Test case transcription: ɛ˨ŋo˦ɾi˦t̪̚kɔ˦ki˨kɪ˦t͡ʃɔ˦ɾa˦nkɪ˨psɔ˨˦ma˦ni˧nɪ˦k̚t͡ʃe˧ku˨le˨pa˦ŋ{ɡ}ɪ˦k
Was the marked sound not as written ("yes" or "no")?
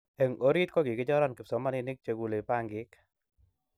no